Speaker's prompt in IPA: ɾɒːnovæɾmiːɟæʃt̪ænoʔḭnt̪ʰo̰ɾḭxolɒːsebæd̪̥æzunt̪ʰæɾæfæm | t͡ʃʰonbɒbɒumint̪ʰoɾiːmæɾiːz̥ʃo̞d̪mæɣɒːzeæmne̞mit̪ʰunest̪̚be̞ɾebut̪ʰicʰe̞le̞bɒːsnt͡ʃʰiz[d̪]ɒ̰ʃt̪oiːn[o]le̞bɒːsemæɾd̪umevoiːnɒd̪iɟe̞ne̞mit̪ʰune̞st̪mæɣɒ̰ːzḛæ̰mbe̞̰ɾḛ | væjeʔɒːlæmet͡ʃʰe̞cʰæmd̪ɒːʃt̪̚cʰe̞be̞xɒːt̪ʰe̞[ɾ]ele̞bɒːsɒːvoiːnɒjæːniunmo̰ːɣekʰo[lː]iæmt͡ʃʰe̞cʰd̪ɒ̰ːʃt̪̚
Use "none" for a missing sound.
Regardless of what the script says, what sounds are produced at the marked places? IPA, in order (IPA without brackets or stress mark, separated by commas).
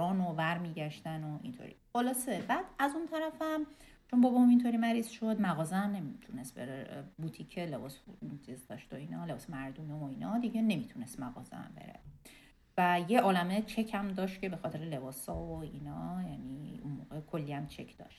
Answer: d̪, ɒ, ɾ, lː